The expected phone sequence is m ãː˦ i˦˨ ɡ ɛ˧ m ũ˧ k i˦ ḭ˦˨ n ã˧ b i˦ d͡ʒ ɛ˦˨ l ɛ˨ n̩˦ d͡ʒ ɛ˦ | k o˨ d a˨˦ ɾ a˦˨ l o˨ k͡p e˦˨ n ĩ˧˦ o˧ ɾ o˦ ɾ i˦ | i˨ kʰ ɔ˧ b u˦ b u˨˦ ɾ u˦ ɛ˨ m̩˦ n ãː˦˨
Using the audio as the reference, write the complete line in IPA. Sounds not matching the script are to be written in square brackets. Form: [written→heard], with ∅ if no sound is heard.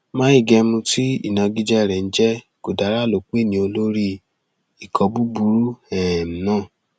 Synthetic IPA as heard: m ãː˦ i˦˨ ɡ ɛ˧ m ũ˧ [k→t] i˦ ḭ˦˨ n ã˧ [b→ɡ] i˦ d͡ʒ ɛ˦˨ [l→ɾ] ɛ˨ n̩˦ d͡ʒ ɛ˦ | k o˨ d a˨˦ ɾ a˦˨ l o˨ k͡p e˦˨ n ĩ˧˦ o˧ [ɾ→l] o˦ ɾ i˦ | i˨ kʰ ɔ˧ b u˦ b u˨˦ ɾ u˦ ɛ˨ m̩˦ n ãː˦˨